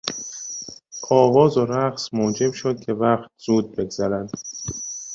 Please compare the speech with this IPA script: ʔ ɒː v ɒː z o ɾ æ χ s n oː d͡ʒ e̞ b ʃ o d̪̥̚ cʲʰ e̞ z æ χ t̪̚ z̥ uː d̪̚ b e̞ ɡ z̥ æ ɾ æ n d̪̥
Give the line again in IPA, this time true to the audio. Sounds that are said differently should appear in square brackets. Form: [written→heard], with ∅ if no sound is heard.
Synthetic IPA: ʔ ɒː v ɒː z o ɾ æ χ s [n→m] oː d͡ʒ e̞ b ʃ o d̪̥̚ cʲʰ e̞ [z→v] æ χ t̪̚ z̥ uː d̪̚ b e̞ ɡ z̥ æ ɾ æ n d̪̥